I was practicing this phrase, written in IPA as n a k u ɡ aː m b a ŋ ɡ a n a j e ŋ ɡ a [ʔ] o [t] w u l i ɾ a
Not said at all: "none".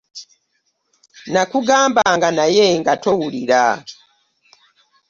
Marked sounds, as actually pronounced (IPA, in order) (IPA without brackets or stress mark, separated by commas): t, none